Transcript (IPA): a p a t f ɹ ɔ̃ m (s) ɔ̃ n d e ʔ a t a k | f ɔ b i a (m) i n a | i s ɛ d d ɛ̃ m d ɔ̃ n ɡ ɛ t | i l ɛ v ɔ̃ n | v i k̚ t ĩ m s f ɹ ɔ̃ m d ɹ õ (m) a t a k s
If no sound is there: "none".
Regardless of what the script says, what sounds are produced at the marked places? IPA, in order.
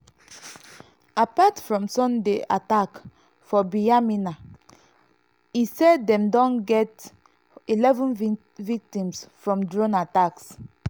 s, m, n

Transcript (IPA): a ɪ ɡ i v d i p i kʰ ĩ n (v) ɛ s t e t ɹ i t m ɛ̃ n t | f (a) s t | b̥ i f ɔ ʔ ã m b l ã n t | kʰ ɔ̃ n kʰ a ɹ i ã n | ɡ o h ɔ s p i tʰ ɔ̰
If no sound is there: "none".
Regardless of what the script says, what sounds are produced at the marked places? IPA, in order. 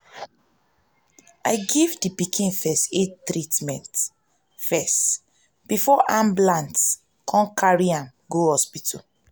f, ɛ

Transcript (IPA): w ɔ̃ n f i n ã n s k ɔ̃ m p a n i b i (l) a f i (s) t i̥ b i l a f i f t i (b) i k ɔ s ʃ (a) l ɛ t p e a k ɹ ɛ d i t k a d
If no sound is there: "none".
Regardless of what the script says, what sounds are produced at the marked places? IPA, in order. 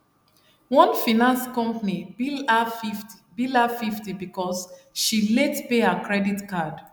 l, f, b, i

